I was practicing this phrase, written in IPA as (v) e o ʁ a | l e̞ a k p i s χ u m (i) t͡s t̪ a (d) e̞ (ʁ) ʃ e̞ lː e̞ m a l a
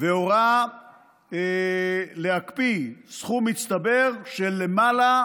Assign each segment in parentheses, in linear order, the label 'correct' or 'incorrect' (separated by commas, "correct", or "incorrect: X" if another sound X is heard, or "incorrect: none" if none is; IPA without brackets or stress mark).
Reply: correct, correct, incorrect: b, correct